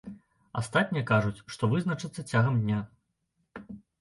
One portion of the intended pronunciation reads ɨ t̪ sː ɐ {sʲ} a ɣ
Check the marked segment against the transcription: incorrect: t͡sʲ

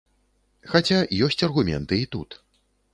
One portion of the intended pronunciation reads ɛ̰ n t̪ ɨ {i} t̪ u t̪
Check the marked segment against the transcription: correct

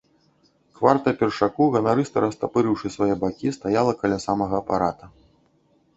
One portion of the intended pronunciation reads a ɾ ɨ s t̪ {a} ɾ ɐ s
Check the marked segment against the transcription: incorrect: ɐ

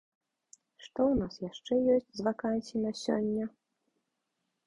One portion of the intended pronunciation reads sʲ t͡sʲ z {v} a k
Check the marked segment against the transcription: correct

